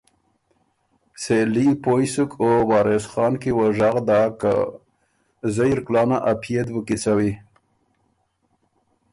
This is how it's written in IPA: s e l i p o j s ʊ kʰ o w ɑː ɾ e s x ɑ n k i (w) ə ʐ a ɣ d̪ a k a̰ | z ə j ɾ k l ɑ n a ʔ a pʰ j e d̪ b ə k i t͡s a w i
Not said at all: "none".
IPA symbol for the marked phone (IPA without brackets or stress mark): w